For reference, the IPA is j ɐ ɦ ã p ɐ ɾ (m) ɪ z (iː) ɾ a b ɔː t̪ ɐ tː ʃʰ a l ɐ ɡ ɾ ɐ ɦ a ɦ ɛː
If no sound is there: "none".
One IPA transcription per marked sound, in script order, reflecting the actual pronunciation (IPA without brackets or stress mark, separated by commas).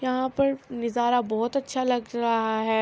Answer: n, aː